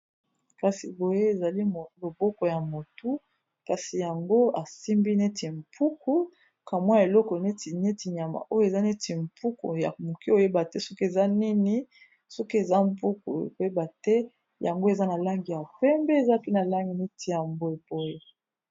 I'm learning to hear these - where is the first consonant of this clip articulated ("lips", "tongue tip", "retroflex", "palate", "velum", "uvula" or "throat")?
velum